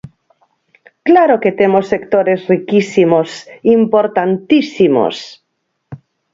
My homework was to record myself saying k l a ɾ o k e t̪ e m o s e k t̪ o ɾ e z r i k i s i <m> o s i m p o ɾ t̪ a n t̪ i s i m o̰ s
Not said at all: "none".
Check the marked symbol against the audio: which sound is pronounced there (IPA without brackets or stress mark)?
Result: m